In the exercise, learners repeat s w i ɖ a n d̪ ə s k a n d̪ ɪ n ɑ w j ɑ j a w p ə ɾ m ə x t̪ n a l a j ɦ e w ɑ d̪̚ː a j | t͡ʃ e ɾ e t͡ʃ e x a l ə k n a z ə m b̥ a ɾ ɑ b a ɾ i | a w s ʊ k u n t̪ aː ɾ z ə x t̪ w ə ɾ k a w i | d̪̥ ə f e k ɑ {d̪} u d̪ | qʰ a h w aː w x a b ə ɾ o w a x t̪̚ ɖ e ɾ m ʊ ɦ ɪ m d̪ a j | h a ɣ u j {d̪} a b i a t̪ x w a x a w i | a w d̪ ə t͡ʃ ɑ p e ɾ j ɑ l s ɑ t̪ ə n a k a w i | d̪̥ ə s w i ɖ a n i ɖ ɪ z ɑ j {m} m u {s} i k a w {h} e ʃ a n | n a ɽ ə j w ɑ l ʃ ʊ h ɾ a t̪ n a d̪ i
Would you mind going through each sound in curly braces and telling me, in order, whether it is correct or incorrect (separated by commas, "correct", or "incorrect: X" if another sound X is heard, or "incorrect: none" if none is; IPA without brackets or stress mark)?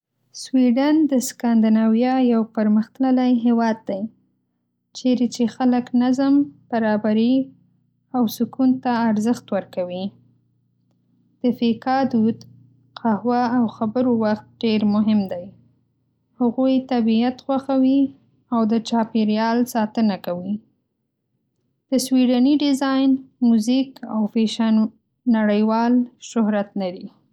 correct, incorrect: t̪, incorrect: n, incorrect: z, incorrect: f